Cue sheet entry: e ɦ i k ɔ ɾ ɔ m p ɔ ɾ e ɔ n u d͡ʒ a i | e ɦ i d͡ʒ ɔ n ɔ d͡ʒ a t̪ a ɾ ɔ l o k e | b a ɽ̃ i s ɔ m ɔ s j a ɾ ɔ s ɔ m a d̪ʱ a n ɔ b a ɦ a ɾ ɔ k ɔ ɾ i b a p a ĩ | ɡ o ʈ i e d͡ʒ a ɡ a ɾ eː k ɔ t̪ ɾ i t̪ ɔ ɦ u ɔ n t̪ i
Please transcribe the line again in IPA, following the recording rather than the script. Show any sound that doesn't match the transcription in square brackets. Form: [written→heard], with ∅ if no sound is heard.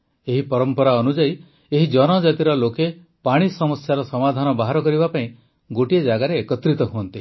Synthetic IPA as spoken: e ɦ i [k→p] ɔ ɾ ɔ m p ɔ ɾ [e→a] ɔ n u d͡ʒ a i | e ɦ i d͡ʒ ɔ n ɔ d͡ʒ a t̪ [a→i] ɾ ɔ l o k e | [b→p] a ɽ̃ i s ɔ m ɔ s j a ɾ ɔ s ɔ m a d̪ʱ a n ɔ b a ɦ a ɾ ɔ k ɔ ɾ i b a p a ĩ | ɡ o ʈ i e d͡ʒ a ɡ a ɾ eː k ɔ t̪ ɾ i t̪ ɔ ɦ u ɔ n t̪ i